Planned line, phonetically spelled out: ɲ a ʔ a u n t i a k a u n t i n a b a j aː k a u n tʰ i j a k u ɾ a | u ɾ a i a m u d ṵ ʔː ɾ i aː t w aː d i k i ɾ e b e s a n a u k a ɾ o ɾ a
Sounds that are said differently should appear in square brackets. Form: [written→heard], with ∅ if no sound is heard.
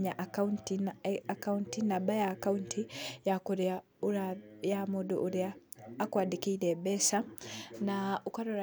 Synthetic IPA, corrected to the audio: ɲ a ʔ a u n t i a k a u n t i n a b a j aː k a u n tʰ i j a k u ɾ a | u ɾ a [i→j] a m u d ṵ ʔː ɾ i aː [t→k] w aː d i k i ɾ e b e s a n a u k a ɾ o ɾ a